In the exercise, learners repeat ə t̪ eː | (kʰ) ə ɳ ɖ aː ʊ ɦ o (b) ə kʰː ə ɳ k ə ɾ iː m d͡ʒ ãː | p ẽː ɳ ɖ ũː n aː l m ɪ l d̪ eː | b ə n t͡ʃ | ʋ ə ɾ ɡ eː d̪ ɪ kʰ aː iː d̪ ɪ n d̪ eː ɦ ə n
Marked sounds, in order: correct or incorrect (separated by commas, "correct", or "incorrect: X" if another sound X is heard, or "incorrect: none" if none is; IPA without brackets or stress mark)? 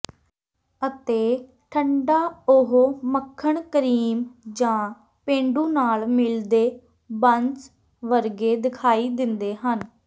incorrect: ʈʰ, incorrect: m